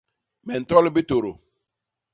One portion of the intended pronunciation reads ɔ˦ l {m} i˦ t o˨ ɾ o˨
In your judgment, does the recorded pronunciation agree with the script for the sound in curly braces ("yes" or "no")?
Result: no